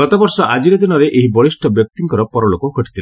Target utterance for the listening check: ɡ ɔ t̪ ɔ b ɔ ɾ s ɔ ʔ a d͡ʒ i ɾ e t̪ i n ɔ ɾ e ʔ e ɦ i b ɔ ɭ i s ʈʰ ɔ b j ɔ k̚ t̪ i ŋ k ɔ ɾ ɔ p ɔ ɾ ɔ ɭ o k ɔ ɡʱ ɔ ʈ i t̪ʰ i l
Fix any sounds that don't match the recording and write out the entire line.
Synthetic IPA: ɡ ɔ t̪ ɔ b ɔ ɾ s ɔ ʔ a d͡ʒ i ɾ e d̪ i n ɔ ɾ e ʔ e ɦ i b ɔ ɭ i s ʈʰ ɔ b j ɔ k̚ t̪ i ŋ k ɔ ɾ ɔ p ɔ ɾ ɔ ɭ o k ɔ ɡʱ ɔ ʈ i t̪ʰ i l